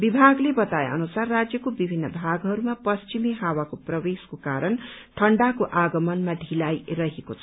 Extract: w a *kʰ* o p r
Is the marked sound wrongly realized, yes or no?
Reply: yes